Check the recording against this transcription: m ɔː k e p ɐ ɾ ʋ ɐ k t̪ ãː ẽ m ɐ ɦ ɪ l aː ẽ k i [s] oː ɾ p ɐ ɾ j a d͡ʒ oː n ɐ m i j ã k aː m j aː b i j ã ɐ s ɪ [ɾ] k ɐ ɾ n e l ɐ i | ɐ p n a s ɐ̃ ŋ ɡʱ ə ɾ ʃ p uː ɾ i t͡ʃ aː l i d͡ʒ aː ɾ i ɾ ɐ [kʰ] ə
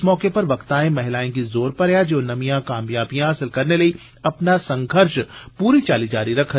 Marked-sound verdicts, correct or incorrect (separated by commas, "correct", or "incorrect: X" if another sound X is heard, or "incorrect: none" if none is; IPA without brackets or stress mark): incorrect: z, incorrect: l, correct